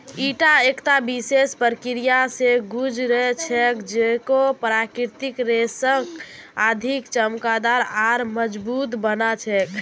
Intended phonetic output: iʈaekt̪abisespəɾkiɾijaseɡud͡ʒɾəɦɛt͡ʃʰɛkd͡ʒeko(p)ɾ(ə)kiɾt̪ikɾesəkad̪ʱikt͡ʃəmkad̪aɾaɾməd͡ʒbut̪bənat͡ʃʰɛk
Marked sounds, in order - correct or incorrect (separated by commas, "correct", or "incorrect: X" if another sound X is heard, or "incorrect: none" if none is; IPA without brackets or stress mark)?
correct, incorrect: a